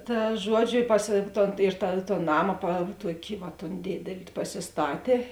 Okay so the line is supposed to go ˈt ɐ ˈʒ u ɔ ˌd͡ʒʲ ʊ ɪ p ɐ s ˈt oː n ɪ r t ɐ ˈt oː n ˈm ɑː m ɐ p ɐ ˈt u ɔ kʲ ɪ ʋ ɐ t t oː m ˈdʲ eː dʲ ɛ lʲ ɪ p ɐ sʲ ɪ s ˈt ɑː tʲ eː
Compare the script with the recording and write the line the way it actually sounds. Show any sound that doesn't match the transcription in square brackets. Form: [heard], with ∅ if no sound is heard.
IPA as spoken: ˈt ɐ ˈʒ u ɔ ˌd͡ʒʲ ʊ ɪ p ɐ s ˈt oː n ɪ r t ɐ ˈt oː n [ˈn] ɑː m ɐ p ɐ ˈt u ɔ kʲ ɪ ʋ ɐ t t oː [n] ˈdʲ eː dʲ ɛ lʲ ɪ p ɐ sʲ ɪ s ˈt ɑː tʲ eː